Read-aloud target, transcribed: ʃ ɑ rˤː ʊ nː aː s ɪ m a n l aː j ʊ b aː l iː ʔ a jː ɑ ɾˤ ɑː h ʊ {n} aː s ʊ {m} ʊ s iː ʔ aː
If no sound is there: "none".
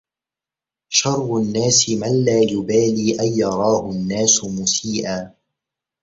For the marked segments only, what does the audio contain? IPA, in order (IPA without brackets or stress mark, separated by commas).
nː, m